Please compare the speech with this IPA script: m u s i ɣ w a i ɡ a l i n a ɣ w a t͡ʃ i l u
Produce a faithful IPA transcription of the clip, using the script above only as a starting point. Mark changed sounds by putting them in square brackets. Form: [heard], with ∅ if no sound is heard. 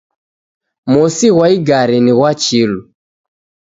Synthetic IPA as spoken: m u s i ɣ w a i ɡ a [ɾ] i n [i] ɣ w a t͡ʃ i l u

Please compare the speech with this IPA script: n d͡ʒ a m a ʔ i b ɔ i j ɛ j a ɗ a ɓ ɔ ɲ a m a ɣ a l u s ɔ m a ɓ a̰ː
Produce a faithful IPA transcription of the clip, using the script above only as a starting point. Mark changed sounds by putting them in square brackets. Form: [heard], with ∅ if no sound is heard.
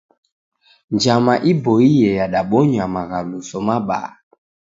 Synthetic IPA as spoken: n d͡ʒ a m a ʔ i b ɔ i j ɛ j a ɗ a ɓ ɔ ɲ a m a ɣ a l u s ɔ m a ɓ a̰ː

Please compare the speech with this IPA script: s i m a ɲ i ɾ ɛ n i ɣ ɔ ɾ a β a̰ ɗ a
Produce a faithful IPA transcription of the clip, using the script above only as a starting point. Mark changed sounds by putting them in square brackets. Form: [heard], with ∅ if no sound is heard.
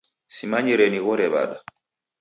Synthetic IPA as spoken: s i m a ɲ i ɾ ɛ n i ɣ ɔ ɾ [ɛ] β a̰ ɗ a

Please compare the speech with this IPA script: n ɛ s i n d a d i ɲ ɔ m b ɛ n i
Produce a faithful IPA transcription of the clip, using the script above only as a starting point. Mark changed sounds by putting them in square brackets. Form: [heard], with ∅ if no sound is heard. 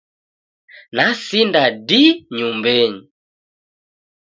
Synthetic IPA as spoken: n [a] s i n d a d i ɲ [u] m b ɛ [ɲ] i

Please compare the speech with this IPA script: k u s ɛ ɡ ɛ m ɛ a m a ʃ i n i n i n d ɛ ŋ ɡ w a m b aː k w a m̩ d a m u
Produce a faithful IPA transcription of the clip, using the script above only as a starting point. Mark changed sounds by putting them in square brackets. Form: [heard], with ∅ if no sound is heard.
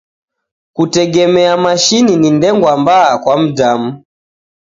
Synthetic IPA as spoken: k u [t] ɛ ɡ ɛ m ɛ a m a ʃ i n i n i n d ɛ ŋ ɡ w a m b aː k w a m̩ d a m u

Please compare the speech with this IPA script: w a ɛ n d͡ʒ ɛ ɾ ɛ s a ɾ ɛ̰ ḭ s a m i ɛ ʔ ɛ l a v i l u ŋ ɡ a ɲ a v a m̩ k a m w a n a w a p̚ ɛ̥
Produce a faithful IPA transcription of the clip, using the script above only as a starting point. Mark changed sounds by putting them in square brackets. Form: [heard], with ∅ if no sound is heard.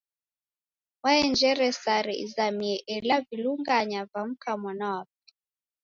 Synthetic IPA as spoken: w a ɛ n d͡ʒ ɛ ɾ ɛ s a ɾ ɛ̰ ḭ [z] a m i ɛ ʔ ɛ l a v i l u ŋ ɡ a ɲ a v a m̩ k a m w a n a w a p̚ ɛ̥

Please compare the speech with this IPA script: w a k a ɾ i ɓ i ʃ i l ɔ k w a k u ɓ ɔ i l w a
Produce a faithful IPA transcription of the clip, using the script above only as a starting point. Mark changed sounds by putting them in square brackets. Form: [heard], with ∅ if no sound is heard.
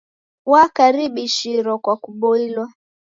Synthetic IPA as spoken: w a k a ɾ i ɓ i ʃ i [ɾ] ɔ k w a k u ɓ ɔ i l w a

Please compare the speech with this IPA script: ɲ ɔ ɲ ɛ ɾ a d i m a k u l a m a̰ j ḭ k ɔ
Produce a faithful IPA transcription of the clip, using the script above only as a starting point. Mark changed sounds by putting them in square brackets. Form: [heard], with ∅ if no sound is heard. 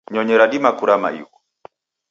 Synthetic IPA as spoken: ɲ ɔ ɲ ɛ ɾ a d i m a k u [ɾ] a m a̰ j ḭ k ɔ

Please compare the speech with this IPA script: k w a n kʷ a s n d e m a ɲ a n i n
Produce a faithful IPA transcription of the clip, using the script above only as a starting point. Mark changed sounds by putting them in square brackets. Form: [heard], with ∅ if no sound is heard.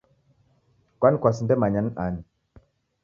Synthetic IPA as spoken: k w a n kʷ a s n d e m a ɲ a n [a] n

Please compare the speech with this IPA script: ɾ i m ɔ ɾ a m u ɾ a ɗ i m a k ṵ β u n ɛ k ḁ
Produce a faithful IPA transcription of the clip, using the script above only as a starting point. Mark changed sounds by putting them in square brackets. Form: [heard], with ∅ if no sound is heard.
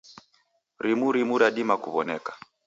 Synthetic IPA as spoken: ɾ i m [u] ɾ [i] m u ɾ a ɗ i m a k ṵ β [ɔ] n ɛ k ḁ

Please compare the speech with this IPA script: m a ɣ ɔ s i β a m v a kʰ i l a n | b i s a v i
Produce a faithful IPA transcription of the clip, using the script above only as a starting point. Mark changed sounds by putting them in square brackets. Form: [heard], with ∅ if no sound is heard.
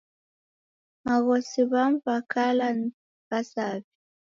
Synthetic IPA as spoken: m a ɣ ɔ s i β a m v a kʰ [a] l a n | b [a] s a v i

